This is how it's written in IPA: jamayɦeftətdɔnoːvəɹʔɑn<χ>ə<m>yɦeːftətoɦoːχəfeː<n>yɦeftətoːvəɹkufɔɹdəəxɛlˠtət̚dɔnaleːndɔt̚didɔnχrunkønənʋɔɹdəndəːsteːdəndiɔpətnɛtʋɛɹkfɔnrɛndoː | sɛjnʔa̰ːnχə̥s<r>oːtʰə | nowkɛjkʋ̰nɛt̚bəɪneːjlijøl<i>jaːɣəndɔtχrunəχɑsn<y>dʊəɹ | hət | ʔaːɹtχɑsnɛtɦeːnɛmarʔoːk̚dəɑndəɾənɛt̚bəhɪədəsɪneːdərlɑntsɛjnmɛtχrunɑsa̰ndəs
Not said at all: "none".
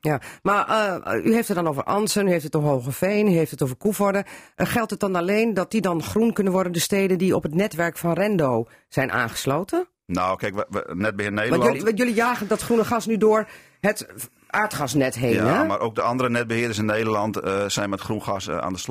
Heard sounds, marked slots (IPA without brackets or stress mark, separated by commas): s, n, n, l, i, y